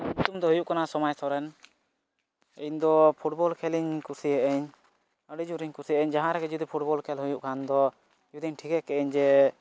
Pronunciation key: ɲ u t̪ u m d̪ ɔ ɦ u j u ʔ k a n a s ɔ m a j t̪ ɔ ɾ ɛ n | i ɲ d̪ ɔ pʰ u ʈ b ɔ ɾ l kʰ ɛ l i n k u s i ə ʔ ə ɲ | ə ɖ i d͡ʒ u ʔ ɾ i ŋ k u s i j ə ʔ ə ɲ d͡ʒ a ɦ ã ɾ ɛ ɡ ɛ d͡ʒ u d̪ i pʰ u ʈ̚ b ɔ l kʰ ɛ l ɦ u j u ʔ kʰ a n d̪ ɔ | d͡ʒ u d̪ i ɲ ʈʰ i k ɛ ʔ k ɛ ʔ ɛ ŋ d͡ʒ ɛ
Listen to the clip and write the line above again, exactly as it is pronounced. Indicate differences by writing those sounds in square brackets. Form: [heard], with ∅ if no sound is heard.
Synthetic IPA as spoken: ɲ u t̪ u m d̪ ɔ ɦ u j u ʔ k a n a s ɔ m a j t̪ ɔ ɾ ɛ n | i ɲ d̪ ɔ pʰ u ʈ b ɔ [∅] l kʰ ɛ l i [ɲ] k u s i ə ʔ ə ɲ | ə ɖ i d͡ʒ u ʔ ɾ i [ɲ] k u s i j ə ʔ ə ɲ d͡ʒ a ɦ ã ɾ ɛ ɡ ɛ d͡ʒ u d̪ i pʰ u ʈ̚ b ɔ l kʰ ɛ l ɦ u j u ʔ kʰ a n d̪ ɔ | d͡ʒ u d̪ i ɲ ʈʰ i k ɛ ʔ k ɛ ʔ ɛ [ɲ] d͡ʒ ɛ